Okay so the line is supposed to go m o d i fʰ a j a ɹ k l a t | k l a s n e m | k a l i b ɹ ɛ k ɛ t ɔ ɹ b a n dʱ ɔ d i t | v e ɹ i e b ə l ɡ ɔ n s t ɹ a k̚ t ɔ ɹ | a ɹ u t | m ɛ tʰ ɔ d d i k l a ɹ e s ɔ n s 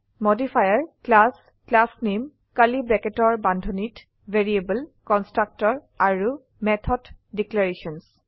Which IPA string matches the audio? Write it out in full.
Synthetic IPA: m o d i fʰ a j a ɹ k l a s | k l a s n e m | k a l i b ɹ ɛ k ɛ t ɔ ɹ b a n dʱ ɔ n i t | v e ɹ i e b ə l k ɔ n s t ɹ a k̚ t ɔ ɹ | a ɹ u | m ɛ tʰ ɔ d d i k l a ɹ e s ɔ n s